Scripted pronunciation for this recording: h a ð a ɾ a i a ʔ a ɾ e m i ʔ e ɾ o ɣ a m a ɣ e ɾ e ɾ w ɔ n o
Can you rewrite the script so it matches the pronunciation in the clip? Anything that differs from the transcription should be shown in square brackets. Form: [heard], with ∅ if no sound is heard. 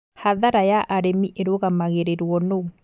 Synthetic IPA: h a ð a ɾ a [j] a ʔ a ɾ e m i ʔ e ɾ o ɣ a m a ɣ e ɾ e ɾ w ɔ n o